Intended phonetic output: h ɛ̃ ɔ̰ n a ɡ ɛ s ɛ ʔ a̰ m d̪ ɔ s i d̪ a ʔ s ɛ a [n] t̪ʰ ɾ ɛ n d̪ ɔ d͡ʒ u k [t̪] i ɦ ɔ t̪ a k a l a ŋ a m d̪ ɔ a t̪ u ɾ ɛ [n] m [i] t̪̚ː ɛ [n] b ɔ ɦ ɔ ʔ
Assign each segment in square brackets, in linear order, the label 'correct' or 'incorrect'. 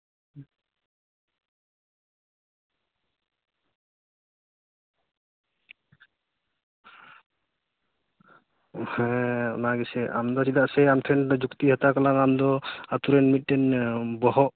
incorrect: m, correct, correct, correct, correct

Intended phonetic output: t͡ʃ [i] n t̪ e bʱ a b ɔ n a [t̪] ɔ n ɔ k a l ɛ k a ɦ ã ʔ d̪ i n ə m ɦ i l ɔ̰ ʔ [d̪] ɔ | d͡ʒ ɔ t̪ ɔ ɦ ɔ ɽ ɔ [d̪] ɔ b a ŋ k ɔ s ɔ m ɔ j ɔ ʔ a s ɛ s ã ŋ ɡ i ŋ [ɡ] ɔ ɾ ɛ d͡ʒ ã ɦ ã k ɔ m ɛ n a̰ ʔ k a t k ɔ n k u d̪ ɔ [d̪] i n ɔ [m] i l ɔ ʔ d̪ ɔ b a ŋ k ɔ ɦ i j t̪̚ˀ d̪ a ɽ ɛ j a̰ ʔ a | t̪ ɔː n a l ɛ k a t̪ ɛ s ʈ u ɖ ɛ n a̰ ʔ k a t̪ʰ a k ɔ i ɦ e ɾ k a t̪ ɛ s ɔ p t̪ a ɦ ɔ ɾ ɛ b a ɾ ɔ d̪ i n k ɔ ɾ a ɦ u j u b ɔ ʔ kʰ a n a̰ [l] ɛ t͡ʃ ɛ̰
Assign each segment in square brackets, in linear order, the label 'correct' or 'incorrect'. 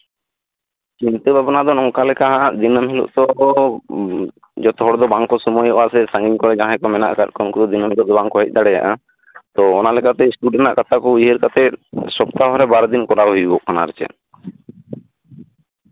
correct, incorrect: d̪, incorrect: t̪, correct, incorrect: k, correct, correct, incorrect: ɾ

